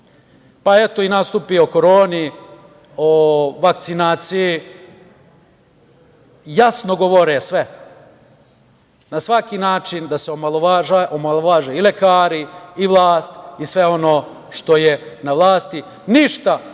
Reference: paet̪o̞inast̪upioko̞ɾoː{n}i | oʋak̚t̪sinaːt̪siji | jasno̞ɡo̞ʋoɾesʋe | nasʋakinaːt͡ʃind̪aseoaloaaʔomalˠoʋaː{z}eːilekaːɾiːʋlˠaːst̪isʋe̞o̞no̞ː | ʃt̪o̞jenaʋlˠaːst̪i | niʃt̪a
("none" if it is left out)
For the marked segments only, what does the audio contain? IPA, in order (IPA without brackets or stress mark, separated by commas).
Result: n, ʒ